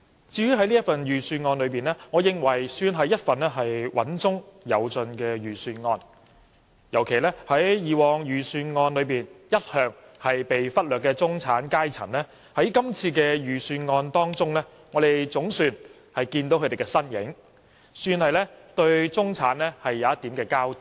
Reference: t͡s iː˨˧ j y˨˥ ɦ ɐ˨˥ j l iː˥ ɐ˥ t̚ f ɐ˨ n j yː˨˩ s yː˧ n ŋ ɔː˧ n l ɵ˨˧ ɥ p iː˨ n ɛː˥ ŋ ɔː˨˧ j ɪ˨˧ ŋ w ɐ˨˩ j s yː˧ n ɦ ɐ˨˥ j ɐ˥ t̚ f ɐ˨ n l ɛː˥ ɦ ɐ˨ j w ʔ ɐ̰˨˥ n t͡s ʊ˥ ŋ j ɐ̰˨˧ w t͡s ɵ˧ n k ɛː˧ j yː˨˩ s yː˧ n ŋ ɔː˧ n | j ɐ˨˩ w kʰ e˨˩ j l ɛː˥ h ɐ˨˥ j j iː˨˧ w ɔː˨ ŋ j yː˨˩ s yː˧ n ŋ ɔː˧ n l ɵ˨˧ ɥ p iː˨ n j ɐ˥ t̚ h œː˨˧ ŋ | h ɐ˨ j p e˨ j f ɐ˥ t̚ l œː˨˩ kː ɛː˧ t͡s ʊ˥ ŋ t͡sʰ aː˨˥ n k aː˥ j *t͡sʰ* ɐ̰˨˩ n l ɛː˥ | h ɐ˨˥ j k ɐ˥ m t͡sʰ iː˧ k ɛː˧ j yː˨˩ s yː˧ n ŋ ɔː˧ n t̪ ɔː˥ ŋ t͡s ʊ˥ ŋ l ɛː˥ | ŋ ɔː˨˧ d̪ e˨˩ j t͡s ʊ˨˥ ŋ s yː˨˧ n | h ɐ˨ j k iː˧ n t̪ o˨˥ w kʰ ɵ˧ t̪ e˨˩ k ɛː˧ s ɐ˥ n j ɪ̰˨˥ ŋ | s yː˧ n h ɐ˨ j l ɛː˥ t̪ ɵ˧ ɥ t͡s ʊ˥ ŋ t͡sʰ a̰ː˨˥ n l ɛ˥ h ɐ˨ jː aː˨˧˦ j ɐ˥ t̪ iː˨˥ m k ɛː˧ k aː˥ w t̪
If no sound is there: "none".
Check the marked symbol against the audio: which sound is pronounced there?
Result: t͡sʰ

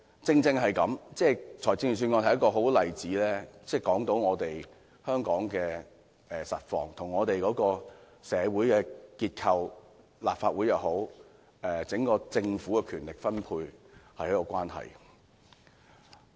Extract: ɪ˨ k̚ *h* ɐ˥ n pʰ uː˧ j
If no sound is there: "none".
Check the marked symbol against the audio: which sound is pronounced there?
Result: f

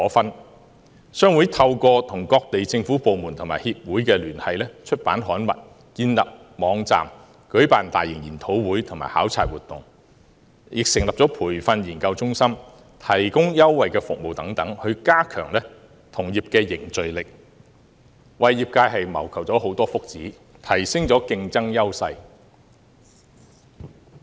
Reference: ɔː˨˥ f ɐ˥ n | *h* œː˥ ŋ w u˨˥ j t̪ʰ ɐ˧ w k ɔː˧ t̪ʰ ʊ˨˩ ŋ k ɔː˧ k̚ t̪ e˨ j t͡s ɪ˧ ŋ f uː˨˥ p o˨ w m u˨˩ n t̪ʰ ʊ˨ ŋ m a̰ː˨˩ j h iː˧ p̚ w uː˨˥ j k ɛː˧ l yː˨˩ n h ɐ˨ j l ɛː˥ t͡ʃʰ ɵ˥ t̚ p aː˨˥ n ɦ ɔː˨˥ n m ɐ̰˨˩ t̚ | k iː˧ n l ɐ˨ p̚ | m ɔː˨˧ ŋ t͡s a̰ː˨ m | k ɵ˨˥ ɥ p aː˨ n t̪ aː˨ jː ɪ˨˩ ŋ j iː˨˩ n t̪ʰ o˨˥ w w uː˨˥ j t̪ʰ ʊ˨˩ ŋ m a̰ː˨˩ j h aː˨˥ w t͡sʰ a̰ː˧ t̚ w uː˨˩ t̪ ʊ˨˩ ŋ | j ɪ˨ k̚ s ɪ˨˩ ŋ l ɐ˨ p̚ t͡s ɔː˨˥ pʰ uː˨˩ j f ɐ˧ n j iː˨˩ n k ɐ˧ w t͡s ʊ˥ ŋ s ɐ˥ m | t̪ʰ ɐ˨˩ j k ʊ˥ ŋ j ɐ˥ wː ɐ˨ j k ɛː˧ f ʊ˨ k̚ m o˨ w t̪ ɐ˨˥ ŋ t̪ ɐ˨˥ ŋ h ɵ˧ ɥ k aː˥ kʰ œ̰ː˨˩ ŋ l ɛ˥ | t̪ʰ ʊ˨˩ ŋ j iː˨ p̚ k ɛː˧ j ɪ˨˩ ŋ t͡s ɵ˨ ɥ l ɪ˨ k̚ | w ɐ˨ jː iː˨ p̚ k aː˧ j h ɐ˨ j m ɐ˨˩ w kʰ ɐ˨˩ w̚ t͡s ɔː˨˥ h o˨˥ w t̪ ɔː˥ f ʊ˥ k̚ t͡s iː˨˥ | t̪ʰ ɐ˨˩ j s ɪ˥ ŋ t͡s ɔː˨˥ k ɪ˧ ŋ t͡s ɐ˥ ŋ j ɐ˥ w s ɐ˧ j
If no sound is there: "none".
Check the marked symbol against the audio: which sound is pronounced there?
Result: s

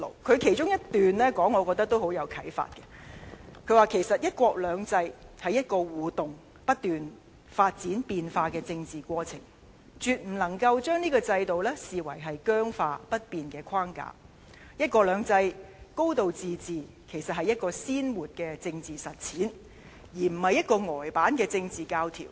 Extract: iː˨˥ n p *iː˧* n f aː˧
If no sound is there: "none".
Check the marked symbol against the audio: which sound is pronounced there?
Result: iː˧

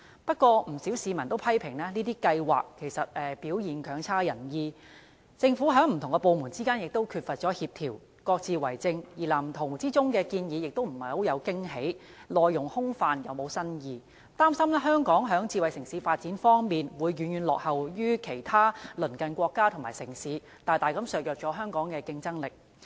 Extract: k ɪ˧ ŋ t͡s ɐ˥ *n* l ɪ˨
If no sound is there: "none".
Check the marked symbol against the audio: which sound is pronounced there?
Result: ŋ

